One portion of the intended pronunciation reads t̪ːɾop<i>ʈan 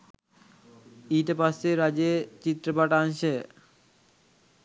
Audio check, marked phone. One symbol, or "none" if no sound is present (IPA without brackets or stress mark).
a